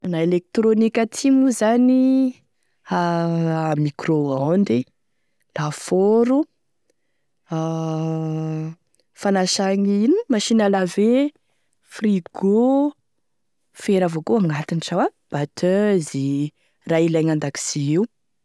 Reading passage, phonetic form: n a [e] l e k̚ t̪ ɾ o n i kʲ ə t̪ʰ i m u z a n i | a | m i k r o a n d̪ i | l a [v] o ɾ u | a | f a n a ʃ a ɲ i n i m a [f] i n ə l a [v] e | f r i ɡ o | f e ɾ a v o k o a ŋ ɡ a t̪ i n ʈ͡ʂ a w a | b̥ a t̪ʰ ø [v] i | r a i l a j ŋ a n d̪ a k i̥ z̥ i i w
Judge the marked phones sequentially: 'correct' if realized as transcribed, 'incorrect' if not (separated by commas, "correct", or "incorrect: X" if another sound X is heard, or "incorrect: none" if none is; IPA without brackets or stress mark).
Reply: correct, incorrect: f, incorrect: ʃ, correct, incorrect: z